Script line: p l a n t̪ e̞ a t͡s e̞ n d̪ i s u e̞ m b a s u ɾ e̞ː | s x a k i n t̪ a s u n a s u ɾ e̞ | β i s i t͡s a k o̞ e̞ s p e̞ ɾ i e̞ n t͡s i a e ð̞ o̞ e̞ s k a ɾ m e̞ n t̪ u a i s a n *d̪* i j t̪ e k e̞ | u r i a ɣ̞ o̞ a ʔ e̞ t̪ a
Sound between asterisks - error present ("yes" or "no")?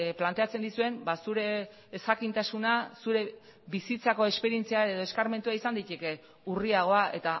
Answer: no